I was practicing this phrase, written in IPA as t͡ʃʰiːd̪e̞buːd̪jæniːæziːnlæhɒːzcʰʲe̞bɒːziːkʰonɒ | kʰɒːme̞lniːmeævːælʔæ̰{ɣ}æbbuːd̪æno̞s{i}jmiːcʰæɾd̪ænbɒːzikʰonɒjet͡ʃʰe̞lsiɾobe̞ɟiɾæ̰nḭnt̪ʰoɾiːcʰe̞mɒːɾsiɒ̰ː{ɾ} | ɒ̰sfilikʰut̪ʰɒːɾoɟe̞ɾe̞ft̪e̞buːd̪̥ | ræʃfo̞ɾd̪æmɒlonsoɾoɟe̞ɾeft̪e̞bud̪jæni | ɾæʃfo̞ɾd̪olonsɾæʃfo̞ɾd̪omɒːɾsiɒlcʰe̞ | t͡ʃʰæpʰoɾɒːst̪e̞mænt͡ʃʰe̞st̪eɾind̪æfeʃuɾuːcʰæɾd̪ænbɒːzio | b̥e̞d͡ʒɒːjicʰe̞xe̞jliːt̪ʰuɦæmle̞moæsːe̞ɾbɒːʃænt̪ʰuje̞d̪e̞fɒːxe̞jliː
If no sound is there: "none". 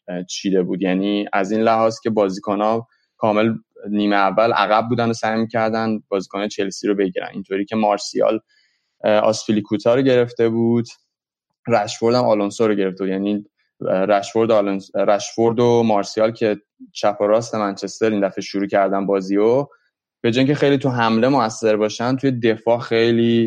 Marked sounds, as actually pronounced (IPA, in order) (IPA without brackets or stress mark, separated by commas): ɣ, æ, l